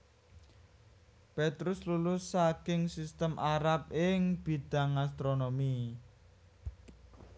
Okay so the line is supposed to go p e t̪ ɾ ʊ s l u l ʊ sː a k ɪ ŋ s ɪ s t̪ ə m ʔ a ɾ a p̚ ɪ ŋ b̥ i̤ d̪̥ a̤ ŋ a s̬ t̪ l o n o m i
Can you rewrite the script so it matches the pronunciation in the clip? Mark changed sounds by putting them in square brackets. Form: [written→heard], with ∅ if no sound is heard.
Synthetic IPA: p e t̪ ɾ ʊ s l u l ʊ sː a k ɪ ŋ s [ɪ→i] s t̪ ə m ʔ a ɾ a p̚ ɪ ŋ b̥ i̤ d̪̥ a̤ ŋ a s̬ t̪ [l→ɾ] o n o m i